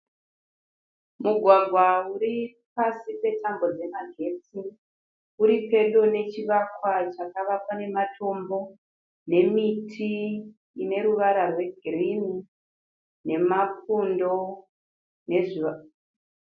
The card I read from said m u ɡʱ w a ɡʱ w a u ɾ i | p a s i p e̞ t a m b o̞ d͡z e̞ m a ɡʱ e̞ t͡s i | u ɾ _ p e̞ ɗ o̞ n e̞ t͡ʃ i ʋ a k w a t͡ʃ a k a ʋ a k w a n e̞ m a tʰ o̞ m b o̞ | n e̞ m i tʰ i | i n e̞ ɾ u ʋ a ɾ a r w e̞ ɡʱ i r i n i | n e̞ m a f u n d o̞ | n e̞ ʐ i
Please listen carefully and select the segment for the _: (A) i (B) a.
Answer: A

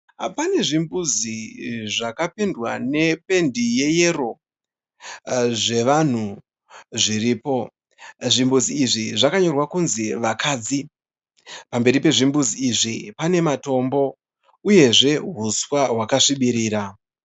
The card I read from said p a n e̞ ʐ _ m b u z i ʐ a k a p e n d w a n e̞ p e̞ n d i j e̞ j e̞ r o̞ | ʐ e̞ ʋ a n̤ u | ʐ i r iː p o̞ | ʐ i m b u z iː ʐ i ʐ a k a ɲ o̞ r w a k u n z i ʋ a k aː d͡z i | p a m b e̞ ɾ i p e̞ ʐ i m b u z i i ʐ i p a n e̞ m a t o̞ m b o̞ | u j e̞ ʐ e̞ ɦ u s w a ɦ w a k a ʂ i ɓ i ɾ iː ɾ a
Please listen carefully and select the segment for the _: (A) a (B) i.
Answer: B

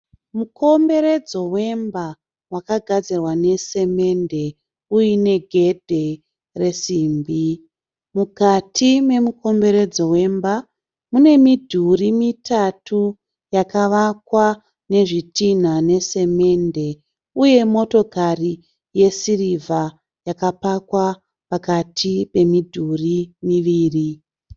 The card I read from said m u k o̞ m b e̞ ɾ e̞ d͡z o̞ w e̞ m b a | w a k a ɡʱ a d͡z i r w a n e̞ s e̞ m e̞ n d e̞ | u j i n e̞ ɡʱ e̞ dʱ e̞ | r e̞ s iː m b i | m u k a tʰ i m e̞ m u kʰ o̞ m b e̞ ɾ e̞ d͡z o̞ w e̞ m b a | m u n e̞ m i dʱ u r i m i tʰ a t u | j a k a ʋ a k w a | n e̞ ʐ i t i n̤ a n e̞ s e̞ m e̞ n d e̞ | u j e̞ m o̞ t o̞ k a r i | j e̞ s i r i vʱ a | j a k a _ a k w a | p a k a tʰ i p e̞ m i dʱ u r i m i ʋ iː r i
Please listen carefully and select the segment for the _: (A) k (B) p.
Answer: B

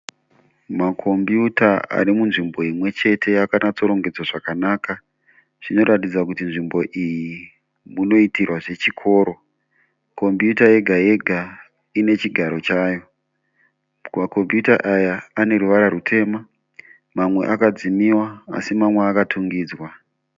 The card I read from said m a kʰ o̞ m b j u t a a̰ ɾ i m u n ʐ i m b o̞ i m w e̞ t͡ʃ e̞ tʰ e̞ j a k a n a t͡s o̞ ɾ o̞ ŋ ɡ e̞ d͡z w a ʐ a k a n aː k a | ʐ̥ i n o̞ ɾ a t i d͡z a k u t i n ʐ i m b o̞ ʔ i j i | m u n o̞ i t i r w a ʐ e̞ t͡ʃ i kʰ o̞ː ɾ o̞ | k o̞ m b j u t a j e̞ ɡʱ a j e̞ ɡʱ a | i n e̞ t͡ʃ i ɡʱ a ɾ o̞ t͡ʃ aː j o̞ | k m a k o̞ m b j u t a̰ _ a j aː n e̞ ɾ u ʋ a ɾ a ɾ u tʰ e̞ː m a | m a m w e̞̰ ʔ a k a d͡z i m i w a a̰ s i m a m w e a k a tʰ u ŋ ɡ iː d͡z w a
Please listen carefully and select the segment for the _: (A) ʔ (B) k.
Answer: A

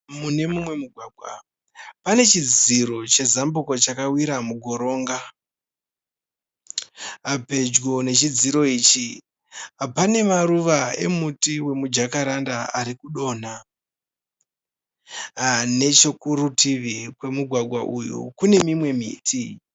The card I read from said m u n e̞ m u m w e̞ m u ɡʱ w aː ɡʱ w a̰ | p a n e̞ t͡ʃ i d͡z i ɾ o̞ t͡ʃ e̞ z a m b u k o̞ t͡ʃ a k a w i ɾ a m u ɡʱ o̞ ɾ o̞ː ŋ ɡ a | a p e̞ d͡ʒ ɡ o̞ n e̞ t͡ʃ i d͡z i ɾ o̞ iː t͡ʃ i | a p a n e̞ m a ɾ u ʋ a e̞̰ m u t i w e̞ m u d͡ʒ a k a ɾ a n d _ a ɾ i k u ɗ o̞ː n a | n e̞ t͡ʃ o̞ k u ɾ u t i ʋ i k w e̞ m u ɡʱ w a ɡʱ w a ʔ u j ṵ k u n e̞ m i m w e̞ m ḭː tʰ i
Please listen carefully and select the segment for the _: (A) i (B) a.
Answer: B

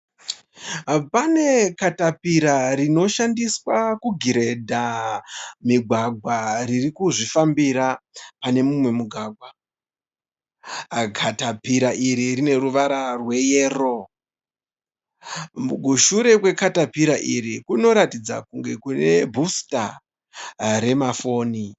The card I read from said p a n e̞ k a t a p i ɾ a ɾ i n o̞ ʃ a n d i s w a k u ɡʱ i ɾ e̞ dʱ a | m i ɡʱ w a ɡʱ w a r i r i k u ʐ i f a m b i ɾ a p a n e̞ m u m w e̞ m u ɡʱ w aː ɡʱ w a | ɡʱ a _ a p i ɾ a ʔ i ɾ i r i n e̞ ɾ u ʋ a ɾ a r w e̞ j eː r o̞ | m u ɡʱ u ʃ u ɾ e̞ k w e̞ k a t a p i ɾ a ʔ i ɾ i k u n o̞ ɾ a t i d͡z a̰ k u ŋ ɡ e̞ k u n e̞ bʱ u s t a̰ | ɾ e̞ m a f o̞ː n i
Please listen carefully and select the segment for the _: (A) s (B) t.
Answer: B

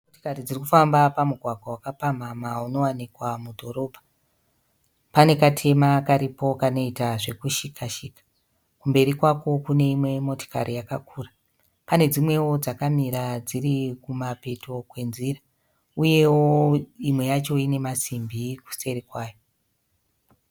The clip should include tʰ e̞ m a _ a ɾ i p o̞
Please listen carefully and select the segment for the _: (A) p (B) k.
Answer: B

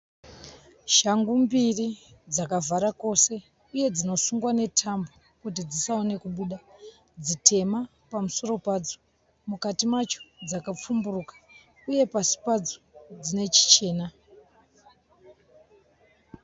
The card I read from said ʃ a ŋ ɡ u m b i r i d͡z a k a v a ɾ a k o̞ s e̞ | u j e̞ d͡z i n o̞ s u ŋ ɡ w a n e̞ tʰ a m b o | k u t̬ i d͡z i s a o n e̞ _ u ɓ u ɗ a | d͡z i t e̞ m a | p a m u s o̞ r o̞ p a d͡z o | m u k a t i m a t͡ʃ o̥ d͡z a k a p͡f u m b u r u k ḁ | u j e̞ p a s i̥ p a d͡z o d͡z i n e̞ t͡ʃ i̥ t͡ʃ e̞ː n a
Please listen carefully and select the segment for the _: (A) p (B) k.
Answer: B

